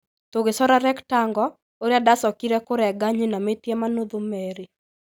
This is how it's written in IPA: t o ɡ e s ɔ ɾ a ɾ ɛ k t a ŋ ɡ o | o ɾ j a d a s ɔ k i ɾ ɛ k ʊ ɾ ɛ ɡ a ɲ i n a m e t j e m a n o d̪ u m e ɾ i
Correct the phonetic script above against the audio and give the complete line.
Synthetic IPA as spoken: t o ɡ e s ɔ ɾ a ɾ ɛ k t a ŋ ɡ ɔ | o ɾ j a d a s ɔ k i ɾ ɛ k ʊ ɾ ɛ ɡ a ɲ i n a m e t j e m a n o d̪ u m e ɾ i